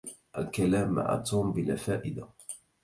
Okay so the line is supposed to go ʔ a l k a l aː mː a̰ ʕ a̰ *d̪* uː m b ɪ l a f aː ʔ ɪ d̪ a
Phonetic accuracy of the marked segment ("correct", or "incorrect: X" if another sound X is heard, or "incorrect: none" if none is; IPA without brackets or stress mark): incorrect: t̪